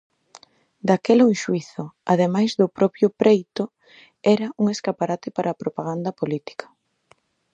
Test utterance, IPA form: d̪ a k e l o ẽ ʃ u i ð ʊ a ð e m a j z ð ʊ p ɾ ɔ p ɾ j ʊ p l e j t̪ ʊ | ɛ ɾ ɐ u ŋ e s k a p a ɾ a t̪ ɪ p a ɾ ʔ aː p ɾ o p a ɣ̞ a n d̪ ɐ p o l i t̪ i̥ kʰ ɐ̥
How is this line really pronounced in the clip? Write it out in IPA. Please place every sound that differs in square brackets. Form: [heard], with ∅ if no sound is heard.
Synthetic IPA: d̪ a k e l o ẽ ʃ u i [θ] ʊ a ð e m a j z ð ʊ p ɾ ɔ p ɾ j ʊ p [ɾ] e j t̪ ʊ | ɛ ɾ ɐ u ŋ e s k a p a ɾ a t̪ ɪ p a ɾ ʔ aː p ɾ o p a ɣ̞ a n d̪ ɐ p o l i t̪ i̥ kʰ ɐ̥

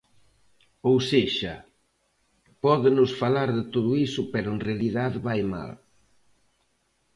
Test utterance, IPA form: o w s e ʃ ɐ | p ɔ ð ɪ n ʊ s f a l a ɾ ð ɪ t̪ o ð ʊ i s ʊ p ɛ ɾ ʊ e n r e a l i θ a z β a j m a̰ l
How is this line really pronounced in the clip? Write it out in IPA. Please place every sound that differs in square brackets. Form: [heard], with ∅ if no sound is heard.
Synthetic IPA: o w s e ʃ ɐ | p ɔ ð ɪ n ʊ s f a l a ɾ ð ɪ t̪ o ð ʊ i s ʊ p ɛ ɾ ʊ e n r e a l i [ð] a [ð] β a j m a̰ l

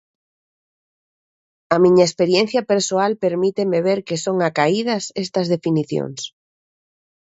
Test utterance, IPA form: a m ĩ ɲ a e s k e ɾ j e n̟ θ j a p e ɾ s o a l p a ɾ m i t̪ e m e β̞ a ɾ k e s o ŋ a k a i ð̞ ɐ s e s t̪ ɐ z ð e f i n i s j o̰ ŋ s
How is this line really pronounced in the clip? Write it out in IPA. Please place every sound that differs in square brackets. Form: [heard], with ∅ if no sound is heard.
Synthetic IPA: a m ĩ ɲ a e s [p] e ɾ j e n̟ θ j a p e ɾ s o a l p [e] ɾ m i t̪ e m e β̞ [e] ɾ k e s o ŋ a k a i ð̞ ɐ s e s t̪ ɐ z ð e f i n i [θ] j o̰ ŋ s

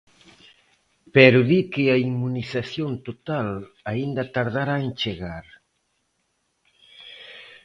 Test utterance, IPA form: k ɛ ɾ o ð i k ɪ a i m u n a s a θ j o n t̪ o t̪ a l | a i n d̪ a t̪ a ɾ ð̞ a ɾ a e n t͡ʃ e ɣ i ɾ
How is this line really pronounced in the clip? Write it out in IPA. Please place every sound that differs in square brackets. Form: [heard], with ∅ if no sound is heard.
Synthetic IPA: [p] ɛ ɾ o ð i k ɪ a i m u n [i] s a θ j o n t̪ o t̪ a l | a i n d̪ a t̪ a ɾ ð̞ a ɾ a e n t͡ʃ e ɣ [a] ɾ

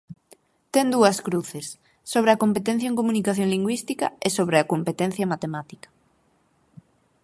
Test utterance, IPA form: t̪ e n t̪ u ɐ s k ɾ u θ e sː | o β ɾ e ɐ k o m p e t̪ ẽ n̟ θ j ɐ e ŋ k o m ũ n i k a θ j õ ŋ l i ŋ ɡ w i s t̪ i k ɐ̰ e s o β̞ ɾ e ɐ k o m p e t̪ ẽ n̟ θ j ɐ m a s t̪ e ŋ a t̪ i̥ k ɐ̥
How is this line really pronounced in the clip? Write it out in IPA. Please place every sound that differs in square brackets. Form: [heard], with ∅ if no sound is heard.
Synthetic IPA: t̪ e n [d̪] u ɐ s k ɾ u θ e sː | o β ɾ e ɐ k o m p e t̪ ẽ n̟ θ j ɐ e ŋ k o m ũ n i k a θ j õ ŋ l i ŋ ɡ w i s t̪ i k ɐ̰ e s o β̞ ɾ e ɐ k o m p e t̪ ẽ n̟ θ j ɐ m a [∅] t̪ e [m] a t̪ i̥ k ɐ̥

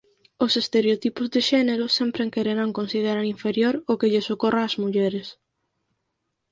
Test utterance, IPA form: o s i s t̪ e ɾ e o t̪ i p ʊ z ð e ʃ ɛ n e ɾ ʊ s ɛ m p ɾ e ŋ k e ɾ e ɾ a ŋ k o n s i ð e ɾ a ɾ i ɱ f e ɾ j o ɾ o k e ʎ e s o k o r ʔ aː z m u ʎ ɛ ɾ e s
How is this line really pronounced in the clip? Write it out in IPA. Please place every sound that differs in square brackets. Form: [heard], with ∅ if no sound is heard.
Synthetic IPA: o s [e] s t̪ e ɾ e o t̪ i p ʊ z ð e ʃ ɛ n e ɾ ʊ s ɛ m p ɾ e ŋ k e ɾ e ɾ a ŋ k o n s i ð e ɾ a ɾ i ɱ f e ɾ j o ɾ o k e ʎ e s o k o r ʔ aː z m u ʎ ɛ ɾ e s

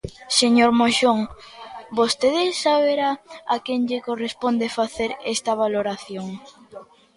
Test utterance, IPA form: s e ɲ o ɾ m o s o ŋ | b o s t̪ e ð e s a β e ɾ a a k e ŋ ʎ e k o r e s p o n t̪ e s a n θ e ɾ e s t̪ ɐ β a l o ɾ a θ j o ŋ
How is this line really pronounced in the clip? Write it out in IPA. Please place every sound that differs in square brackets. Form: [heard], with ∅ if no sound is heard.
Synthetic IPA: s e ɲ o ɾ m o [ʃ] o ŋ | b o s t̪ e ð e s a β e ɾ a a k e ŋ ʎ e k o r e s p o n [d̪] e [f] a [∅] θ e ɾ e s t̪ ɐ β a l o ɾ a θ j o ŋ

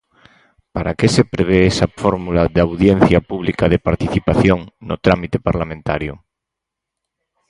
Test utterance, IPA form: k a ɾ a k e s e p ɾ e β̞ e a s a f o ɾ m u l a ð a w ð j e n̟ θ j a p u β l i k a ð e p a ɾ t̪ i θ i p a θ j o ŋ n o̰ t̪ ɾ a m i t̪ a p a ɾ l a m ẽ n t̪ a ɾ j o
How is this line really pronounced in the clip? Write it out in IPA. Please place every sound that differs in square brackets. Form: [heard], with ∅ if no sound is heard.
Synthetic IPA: [p] a ɾ a k e s e p ɾ e β̞ e [e] s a f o ɾ m u l a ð a w ð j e n̟ θ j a p u β l i k a ð e p a ɾ t̪ i θ i p a θ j o ŋ n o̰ t̪ ɾ a m i t̪ [e] p a ɾ l a m ẽ n t̪ a ɾ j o

